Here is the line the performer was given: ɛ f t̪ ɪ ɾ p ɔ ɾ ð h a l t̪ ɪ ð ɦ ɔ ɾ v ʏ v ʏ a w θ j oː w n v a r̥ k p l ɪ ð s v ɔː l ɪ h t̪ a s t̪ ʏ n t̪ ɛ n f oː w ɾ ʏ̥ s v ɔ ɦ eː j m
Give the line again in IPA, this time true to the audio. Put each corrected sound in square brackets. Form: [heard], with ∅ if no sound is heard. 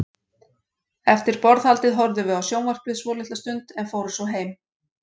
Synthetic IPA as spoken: ɛ f t̪ ɪ ɾ p ɔ ɾ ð h a l t̪ ɪ ð ɦ ɔ ɾ [ð] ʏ v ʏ a w [s] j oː w n v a r̥ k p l ɪ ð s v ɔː l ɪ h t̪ a s t̪ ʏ n t̪ ɛ n f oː w ɾ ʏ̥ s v ɔ ɦ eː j m